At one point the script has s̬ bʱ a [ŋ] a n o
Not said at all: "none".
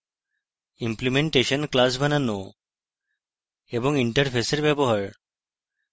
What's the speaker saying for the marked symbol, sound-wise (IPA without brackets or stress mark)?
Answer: n